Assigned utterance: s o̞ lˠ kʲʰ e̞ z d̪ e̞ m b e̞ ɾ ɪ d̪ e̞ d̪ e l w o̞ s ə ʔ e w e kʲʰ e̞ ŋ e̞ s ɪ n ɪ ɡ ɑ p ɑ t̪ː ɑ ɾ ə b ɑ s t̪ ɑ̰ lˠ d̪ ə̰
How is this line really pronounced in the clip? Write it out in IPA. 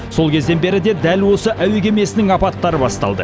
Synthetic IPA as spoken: s o̞ lˠ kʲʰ e̞ z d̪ e̞ n b e̞ ɾ ɪ d̪ e̞ d̪ æ l w o̞ s ə ʔ æ w e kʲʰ e̞ m e̞ s ɪ n ɪ ŋ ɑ p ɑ t̪ː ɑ ɾ ə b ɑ s t̪ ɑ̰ lˠ d̪ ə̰